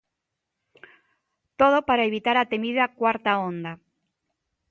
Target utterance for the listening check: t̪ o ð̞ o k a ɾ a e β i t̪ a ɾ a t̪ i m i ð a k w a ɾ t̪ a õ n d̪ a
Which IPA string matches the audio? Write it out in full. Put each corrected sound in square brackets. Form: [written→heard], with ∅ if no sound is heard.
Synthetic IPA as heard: t̪ o ð̞ o [k→p] a ɾ a e β i t̪ a ɾ a t̪ [i→e] m i ð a k w a ɾ t̪ a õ n d̪ a